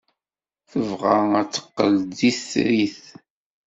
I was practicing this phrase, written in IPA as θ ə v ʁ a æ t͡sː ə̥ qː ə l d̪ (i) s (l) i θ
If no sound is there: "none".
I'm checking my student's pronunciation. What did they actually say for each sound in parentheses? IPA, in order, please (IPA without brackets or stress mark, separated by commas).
i, ɾ